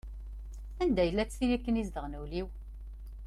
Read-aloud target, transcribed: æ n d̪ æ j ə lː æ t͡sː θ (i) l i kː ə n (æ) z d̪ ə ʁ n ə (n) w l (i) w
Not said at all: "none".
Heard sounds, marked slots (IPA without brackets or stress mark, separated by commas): i, i, none, i